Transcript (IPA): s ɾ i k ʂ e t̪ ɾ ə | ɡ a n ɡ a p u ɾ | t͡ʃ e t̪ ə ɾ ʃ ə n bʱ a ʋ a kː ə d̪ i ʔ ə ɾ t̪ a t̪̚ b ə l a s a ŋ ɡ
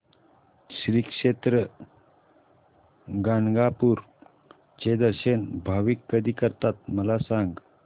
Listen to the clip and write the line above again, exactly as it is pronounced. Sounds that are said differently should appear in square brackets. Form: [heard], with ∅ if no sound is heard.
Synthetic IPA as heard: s ɾ i k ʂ e t̪ ɾ ə | ɡ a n ɡ a p u ɾ | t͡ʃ e [d̪] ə ɾ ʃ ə n bʱ a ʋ [i] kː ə d̪ i [k] ə ɾ t̪ a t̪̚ [m] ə l a s a ŋ ɡ